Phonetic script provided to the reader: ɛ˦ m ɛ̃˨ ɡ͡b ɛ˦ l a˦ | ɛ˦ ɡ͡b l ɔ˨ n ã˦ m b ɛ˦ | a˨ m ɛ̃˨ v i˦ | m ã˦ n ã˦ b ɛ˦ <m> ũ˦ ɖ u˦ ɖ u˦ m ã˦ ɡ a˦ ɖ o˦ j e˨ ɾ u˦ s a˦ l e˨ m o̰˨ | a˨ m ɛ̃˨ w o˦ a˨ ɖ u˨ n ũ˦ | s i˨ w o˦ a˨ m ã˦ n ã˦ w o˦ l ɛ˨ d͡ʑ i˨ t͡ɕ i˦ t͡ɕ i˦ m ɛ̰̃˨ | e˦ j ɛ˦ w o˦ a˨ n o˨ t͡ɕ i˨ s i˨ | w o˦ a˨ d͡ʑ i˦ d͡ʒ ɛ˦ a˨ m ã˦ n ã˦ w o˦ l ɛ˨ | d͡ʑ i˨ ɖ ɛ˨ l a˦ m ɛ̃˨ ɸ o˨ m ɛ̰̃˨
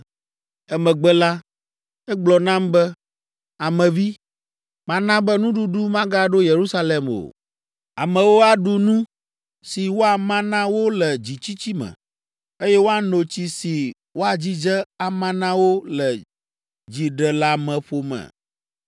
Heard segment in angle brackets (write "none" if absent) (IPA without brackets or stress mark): n